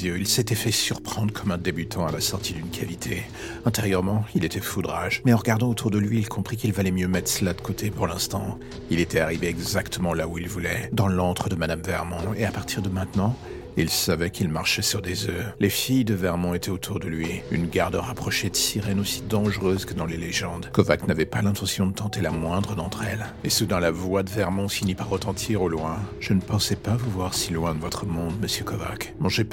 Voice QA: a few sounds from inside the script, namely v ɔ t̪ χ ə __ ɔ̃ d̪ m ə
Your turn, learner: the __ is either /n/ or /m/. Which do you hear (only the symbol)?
m